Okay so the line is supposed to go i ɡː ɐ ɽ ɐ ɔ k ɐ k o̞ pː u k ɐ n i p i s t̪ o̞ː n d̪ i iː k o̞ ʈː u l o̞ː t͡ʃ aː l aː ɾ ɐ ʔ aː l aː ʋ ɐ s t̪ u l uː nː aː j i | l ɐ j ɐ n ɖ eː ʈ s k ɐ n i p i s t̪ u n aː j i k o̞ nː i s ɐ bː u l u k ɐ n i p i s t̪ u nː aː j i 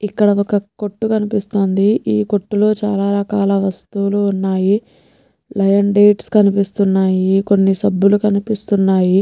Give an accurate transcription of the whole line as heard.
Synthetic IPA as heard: i kː ɐ ɽ ɐ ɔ k ɐ k o̞ ʈː u k ɐ n i p i s t̪ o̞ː n d̪ i iː k o̞ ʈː u l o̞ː t͡ʃ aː l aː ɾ ɐ k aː l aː ʋ ɐ s t̪ u l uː nː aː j i | l ɐ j ɐ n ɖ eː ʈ s k ɐ n i p i s t̪ u nː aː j i k o̞ nː i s ɐ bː u l u k ɐ n i p i s t̪ u nː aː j i